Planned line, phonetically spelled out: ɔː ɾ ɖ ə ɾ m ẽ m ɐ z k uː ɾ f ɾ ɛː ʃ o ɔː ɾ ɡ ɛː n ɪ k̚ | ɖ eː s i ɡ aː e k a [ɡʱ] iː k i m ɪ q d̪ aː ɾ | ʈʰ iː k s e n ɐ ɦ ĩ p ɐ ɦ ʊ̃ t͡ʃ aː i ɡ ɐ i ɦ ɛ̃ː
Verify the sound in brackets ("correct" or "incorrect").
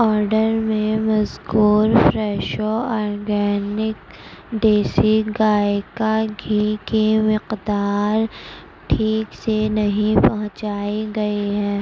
correct